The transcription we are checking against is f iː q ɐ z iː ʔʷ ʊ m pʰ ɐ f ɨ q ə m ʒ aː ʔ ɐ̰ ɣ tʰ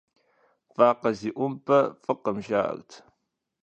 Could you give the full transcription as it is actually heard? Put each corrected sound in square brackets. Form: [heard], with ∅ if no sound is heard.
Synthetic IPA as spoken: f [aː] q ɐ z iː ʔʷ ʊ m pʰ ɐ f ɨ q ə m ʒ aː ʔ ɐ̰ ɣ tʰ